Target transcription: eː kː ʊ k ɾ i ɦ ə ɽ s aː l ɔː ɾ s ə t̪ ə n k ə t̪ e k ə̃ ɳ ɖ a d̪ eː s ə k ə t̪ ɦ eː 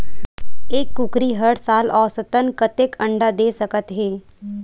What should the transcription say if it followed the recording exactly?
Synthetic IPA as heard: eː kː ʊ k ɾ i ɦ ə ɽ s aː l ɔː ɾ s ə t̪ ə n k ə t̪ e k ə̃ ɳ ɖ a d̪ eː s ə k ə t̪ ɦ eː